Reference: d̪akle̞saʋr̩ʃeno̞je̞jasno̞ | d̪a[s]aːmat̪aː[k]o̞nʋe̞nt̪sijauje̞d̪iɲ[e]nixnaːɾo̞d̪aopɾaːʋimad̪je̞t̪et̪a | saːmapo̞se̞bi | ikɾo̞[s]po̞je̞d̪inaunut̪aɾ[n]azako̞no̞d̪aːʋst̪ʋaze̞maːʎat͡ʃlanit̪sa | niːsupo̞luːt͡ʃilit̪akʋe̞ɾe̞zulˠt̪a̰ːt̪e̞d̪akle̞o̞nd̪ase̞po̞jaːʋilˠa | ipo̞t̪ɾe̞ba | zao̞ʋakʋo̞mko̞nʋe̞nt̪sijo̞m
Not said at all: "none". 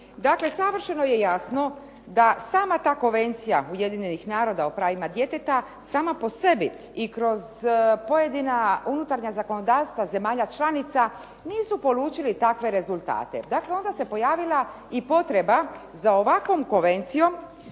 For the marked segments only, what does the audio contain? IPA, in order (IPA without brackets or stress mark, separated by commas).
s, k, e, z, ɲ